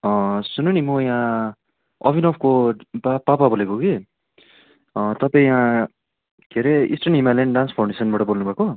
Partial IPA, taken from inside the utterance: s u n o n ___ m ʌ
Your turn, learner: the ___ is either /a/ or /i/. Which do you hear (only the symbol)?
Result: i